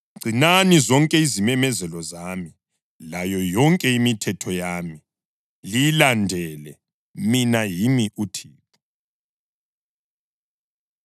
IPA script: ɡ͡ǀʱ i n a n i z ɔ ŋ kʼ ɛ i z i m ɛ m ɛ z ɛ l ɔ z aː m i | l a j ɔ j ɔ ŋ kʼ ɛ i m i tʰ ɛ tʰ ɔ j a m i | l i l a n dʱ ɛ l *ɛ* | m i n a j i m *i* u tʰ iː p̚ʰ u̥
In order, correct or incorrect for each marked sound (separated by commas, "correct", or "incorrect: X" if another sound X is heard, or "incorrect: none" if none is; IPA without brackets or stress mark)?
correct, correct